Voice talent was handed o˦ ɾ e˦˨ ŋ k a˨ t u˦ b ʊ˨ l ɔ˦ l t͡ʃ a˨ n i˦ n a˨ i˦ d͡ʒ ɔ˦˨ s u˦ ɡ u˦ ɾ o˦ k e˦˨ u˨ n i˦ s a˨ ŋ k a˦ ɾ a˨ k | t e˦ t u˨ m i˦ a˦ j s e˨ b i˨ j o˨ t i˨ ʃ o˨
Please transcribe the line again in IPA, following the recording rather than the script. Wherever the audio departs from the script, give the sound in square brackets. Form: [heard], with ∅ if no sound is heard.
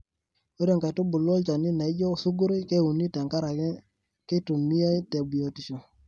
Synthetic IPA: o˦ ɾ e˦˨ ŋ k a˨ t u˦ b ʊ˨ l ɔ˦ l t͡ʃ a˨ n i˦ n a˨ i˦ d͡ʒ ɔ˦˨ s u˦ ɡ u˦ ɾ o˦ k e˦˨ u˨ n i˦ [t] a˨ ŋ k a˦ ɾ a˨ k | [k] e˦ t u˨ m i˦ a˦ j [t] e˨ b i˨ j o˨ t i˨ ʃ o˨